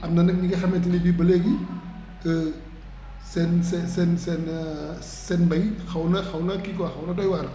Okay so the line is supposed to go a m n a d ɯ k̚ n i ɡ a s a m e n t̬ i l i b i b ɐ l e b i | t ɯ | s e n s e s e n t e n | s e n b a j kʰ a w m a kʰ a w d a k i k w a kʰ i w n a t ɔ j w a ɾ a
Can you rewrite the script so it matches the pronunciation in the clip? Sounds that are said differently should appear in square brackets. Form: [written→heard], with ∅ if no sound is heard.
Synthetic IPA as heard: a m n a [d→n] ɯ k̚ n i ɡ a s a m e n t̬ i l i b i b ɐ l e [b→ɡ] i | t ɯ | s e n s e s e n [t→s] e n | s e n b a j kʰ a w [m→n] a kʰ a w [d→n] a k i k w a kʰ [i→a] w n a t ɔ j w a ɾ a